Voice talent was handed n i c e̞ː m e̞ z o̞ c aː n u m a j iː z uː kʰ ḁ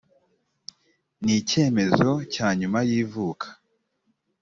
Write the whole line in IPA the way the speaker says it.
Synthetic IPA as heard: n i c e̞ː m e̞ z o̞ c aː ɲ u m a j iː v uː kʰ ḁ